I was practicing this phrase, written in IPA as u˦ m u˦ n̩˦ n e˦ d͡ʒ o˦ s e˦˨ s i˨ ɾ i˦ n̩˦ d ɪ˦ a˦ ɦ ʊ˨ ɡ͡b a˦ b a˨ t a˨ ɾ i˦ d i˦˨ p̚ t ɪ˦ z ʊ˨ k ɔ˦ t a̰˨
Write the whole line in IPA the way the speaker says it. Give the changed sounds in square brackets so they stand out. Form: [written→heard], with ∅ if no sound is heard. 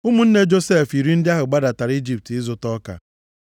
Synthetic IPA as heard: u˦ m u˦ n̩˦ n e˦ d͡ʒ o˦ s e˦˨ [s→f] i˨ ɾ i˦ n̩˦ d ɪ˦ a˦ ɦ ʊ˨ ɡ͡b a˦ [b→d] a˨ t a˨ ɾ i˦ [d→d͡ʒ] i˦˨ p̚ t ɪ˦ z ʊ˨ [k→t] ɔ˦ [t→k] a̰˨